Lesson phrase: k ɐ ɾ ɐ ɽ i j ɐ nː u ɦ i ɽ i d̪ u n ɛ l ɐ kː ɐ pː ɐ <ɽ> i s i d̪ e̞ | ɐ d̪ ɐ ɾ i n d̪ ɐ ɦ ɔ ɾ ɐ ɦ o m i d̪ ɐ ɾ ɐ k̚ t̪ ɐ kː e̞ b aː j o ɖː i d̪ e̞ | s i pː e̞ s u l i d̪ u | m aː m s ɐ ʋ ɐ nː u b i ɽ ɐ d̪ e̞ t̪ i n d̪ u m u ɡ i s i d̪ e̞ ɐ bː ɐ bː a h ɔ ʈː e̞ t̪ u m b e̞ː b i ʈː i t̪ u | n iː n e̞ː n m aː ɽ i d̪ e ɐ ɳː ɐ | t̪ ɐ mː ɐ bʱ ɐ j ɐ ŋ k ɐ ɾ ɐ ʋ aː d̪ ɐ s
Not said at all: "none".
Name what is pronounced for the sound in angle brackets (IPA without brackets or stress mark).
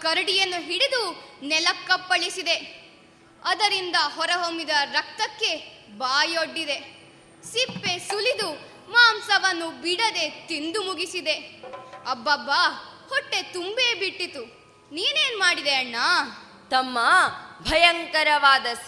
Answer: ɭ